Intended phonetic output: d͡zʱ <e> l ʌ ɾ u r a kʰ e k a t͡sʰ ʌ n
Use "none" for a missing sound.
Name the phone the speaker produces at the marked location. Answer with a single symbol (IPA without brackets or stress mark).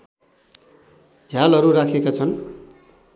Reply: a